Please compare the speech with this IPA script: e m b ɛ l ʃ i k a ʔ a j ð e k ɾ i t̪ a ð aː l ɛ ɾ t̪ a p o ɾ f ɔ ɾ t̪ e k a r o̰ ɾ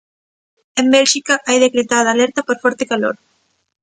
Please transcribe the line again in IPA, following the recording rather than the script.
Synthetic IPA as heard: e m b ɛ l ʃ i k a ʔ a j ð e k ɾ e t̪ a ð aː l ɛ ɾ t̪ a p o ɾ f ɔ ɾ t̪ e k a l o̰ ɾ